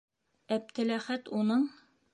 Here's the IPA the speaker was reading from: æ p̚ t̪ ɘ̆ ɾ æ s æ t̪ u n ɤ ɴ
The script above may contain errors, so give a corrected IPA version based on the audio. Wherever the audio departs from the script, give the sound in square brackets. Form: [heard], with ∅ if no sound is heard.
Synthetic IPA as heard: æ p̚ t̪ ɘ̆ [l] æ [χ] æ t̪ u n ɤ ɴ